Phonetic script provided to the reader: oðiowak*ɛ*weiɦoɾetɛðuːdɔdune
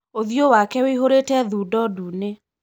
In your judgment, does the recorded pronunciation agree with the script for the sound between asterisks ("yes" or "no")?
yes